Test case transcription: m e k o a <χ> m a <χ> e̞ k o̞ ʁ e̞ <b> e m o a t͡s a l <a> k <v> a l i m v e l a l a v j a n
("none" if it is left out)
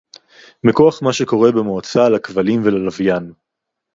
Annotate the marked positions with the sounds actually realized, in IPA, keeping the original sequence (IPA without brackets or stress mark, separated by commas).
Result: χ, ʃ, b, a, v